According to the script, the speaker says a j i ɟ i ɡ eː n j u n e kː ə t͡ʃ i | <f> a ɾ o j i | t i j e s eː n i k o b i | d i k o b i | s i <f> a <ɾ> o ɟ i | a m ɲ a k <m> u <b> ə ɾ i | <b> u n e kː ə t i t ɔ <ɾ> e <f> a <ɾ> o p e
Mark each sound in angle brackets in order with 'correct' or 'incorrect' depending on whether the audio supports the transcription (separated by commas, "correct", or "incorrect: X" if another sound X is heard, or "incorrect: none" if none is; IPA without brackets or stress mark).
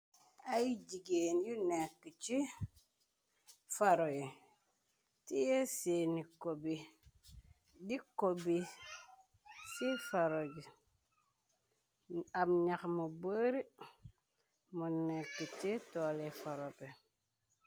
correct, correct, correct, correct, correct, incorrect: m, incorrect: l, correct, correct